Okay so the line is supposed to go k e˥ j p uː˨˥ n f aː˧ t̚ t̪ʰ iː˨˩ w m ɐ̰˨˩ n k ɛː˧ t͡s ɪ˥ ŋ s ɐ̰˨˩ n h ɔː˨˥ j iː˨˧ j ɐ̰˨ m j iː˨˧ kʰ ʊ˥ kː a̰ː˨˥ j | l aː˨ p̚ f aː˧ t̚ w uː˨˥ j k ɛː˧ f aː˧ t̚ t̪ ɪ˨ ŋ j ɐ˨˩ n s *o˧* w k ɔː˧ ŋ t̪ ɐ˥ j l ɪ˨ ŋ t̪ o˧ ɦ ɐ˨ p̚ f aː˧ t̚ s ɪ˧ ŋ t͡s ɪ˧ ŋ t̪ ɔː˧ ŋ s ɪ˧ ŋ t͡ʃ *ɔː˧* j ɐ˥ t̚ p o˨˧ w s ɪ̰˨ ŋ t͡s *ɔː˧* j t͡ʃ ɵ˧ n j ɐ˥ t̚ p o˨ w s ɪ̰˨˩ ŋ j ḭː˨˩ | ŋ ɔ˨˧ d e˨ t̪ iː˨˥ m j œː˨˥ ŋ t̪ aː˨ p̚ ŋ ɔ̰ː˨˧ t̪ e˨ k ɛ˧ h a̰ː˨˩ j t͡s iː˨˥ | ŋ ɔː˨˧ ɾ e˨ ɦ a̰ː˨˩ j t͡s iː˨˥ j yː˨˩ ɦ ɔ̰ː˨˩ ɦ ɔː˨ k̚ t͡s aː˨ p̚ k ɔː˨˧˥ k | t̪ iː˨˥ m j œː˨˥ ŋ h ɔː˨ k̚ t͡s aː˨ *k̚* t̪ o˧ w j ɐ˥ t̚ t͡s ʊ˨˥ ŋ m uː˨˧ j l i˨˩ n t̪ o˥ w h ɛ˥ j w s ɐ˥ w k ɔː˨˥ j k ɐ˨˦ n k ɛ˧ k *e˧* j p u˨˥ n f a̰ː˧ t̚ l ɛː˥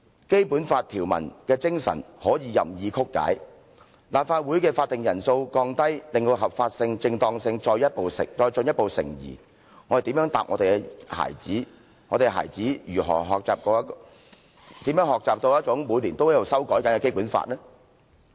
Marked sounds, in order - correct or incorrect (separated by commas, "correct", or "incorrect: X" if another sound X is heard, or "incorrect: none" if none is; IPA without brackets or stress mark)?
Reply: correct, correct, correct, incorrect: p̚, incorrect: e˥